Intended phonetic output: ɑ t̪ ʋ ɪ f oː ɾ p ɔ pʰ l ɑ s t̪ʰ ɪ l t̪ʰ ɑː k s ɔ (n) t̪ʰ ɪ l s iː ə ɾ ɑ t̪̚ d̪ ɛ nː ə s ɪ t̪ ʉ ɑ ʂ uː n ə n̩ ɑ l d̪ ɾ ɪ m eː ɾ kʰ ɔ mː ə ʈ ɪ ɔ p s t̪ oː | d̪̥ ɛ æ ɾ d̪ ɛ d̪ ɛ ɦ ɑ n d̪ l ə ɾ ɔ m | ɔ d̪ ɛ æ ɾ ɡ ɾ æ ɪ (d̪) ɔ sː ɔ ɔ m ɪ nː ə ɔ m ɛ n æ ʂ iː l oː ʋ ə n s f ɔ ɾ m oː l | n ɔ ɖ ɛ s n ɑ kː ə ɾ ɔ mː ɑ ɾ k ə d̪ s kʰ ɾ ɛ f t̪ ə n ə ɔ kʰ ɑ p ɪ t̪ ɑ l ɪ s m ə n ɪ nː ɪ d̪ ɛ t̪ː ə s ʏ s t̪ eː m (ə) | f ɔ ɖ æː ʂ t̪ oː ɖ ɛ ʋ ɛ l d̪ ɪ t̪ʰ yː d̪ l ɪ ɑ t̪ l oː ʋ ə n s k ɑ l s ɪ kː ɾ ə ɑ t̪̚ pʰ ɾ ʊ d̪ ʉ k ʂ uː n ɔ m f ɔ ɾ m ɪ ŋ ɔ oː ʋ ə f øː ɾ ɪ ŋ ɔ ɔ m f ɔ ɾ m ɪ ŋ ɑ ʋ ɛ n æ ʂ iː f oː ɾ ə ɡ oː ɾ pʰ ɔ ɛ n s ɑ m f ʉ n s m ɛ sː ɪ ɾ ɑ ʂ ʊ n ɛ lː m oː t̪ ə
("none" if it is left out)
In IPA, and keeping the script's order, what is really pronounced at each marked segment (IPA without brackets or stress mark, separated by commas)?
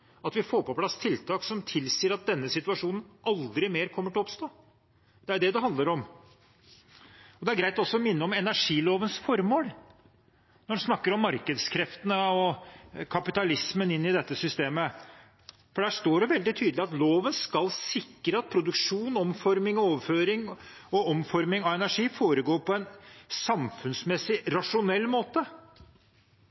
m, t̪, ə